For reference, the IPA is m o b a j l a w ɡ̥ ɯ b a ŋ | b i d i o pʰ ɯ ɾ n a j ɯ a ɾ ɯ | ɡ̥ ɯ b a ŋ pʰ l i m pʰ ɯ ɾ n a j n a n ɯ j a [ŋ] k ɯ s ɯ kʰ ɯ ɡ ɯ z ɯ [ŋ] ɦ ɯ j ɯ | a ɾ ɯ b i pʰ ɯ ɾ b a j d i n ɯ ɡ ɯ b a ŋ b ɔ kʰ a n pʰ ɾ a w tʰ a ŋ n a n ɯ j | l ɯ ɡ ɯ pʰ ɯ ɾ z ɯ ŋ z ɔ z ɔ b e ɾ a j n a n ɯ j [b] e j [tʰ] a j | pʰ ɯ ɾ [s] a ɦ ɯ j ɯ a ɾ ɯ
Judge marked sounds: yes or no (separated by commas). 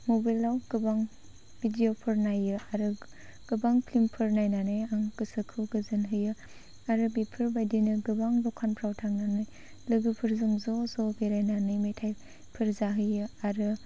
yes, no, no, yes, no